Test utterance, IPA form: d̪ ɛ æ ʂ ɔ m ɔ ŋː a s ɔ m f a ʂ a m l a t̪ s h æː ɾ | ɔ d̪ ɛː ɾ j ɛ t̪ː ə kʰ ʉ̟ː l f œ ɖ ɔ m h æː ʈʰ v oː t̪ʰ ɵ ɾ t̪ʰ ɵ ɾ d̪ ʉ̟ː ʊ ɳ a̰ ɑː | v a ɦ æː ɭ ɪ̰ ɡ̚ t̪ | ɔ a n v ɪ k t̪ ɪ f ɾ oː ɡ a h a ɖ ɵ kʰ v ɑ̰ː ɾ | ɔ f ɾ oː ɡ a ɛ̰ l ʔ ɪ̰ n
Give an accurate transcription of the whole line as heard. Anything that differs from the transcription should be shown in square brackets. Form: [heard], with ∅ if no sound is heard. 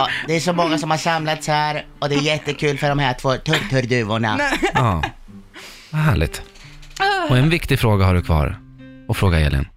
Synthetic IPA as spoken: d̪ ɛ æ ʂ ɔ m ɔ ŋː a s ɔ m [h] a ʂ a m l a t̪ s h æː ɾ | ɔ d̪ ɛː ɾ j ɛ t̪ː ə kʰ ʉ̟ː l f œ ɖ ɔ m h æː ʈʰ v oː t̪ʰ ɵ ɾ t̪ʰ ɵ ɾ d̪ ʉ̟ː ʊ ɳ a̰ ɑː | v a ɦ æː ɭ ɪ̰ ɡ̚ t̪ | ɔ [ɛ] n v ɪ k t̪ ɪ f ɾ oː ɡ a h a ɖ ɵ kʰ v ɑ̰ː ɾ | ɔ f ɾ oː ɡ a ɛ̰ l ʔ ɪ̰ n